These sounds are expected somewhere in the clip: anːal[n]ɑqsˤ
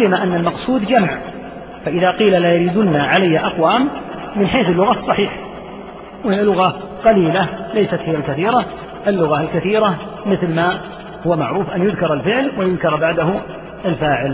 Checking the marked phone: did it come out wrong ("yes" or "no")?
yes